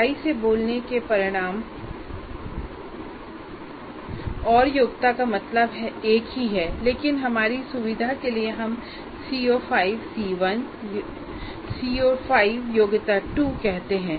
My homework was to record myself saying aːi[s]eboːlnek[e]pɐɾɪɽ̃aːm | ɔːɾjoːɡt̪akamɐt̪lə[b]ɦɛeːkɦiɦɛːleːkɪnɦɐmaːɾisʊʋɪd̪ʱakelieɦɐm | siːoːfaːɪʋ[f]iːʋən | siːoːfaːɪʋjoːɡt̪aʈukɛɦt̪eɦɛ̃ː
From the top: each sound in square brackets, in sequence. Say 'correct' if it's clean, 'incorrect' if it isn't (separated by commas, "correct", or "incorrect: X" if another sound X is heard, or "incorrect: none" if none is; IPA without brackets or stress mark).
correct, correct, correct, incorrect: s